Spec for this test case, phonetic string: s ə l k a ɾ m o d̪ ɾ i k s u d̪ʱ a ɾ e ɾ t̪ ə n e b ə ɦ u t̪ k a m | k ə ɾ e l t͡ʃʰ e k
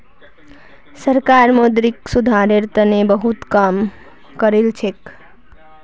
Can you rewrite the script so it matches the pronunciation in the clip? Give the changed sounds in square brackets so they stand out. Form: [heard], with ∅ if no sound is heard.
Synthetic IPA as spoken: s ə [ɾ] k a ɾ m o d̪ ɾ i k s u d̪ʱ a ɾ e ɾ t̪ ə n e b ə ɦ u t̪ k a m | k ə ɾ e l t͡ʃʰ e k